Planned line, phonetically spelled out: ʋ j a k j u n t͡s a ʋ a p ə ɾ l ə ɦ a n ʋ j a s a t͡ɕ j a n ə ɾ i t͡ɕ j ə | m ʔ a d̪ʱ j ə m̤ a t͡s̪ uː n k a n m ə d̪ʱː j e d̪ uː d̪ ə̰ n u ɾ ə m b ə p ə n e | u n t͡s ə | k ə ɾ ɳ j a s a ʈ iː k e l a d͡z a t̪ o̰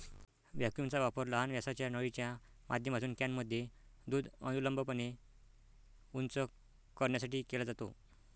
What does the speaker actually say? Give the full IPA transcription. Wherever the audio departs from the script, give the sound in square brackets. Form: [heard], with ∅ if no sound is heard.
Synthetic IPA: ʋ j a k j u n t͡s a ʋ a p ə ɾ l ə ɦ a n ʋ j a s a t͡ɕ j a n ə [ɭ] i t͡ɕ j [a] | m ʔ a d̪ʱ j ə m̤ a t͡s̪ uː n k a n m ə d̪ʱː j e d̪ uː d̪ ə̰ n u [l] ə m b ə p ə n e | u n t͡s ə | k ə ɾ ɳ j a s a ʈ iː k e l a d͡z a t̪ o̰